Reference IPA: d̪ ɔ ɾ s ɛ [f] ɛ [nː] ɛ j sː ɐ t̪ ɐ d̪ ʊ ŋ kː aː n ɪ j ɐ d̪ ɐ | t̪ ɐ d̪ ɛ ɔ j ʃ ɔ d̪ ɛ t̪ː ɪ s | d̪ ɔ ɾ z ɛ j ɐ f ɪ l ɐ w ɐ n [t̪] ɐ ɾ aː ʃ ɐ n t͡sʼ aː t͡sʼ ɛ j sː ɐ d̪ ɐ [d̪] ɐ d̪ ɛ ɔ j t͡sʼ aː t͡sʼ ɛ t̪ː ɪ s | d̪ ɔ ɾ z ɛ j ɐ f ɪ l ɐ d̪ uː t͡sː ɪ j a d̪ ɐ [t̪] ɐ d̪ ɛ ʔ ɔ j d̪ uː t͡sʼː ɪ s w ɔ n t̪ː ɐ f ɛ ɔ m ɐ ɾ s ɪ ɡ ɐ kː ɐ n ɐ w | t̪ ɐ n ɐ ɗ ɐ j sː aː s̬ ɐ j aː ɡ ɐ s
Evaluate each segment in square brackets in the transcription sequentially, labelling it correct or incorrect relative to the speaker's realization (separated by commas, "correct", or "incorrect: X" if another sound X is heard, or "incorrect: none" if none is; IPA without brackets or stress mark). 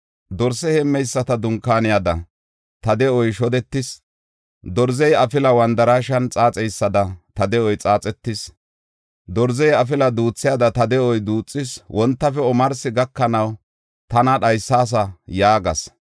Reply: incorrect: h, incorrect: mː, incorrect: d̪, incorrect: t̪, correct